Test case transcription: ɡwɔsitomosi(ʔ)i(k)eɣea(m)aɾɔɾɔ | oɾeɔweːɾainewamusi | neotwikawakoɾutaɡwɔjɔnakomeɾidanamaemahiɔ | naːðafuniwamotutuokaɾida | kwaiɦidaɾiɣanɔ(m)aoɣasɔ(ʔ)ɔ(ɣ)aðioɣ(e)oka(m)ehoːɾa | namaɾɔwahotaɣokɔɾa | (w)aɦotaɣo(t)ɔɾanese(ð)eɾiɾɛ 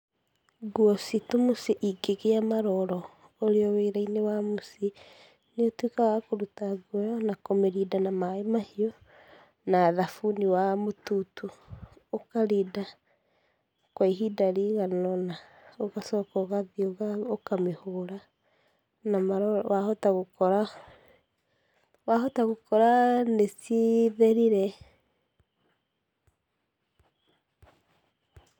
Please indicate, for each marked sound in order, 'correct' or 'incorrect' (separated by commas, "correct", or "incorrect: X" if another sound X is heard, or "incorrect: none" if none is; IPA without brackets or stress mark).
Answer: correct, incorrect: ɡ, correct, incorrect: n, incorrect: k, correct, incorrect: a, correct, correct, incorrect: k, correct